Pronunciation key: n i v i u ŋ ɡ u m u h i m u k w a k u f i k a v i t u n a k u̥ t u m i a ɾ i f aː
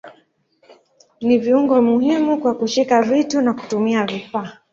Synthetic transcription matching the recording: n i v i u ŋ ɡ ɔ m u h i m u k w a k u ʃ i k a v i t u n a k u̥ t u m i a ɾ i f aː